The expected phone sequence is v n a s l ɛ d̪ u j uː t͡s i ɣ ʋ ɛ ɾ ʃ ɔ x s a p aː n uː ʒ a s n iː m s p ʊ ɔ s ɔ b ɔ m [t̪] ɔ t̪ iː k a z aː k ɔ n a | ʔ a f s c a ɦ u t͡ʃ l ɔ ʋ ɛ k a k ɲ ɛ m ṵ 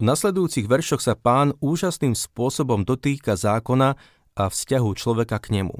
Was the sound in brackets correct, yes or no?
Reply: no